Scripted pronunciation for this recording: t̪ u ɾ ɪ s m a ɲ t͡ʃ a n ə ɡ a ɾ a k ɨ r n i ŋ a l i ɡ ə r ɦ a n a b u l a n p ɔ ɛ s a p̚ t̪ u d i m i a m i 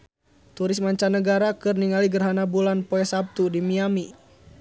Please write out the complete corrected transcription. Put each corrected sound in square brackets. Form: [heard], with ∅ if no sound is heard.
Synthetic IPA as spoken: t̪ u ɾ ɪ s m a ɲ t͡ʃ a n ə ɡ a ɾ a k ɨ r n i ŋ a l i ɡ ə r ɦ a n a b u l a n p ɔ ɛ s a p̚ t̪ u d i m i a m i